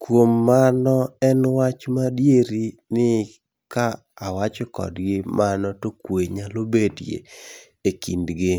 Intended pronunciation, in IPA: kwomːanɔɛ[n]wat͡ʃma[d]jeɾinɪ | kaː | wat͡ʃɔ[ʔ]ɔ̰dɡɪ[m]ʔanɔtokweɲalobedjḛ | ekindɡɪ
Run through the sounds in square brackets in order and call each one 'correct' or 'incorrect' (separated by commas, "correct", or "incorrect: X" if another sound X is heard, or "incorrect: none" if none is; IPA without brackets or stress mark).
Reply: correct, correct, incorrect: k, correct